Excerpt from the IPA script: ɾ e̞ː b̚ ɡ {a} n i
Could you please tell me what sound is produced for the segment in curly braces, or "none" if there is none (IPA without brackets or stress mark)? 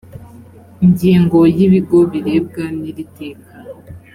a